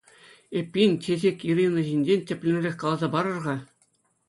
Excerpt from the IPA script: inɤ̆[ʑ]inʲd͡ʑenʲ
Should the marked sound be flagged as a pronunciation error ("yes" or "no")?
no